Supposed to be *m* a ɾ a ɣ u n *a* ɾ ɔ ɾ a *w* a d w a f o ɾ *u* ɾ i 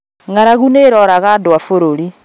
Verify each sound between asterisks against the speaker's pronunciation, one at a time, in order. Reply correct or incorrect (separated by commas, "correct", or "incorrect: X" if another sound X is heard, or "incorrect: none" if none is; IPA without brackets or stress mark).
incorrect: ŋ, incorrect: e, incorrect: ɣ, incorrect: o